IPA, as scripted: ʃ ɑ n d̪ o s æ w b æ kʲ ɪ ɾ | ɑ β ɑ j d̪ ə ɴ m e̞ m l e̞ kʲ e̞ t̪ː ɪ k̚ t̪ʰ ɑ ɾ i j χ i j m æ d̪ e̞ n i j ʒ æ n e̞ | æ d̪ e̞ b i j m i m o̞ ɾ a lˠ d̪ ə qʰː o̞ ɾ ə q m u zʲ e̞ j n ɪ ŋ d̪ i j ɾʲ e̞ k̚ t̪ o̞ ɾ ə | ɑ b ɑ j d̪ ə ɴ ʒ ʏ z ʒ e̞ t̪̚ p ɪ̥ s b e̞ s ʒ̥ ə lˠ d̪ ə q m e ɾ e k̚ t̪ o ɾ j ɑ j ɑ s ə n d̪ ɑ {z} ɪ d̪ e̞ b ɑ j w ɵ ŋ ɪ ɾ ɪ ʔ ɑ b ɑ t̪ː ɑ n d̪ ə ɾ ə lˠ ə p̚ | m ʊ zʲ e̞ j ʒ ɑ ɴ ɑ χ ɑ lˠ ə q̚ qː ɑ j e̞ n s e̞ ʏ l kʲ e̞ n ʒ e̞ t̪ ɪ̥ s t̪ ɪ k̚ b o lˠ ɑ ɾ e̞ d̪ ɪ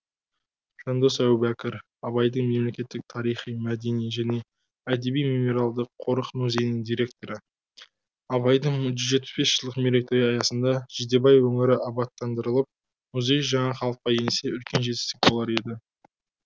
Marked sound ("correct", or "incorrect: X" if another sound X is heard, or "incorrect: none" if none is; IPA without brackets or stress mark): incorrect: ʒ